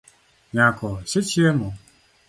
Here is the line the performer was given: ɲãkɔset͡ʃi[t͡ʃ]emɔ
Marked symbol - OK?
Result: no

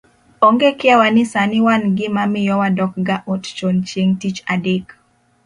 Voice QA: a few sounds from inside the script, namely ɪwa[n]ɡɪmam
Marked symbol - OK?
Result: yes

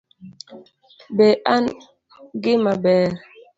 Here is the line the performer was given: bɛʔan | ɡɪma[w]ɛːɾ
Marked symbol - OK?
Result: no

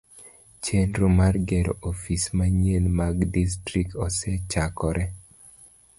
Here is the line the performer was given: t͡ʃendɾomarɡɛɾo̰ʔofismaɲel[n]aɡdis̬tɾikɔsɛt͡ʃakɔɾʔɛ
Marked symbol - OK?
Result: no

